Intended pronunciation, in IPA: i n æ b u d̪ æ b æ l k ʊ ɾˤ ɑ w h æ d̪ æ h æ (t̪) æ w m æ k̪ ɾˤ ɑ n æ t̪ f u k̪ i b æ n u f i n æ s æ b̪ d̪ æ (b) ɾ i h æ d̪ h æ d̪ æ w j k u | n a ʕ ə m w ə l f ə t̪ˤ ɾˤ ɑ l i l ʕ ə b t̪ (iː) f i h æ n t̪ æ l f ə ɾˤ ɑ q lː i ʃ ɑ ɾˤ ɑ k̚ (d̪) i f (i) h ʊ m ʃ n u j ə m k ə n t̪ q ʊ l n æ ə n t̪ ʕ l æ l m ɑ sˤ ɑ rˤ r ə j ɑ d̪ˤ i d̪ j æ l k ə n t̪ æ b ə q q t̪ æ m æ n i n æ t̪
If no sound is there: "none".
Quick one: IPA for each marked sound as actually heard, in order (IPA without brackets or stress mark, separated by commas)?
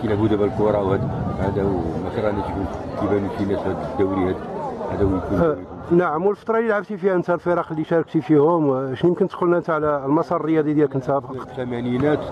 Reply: d̪, w, i, t̪, i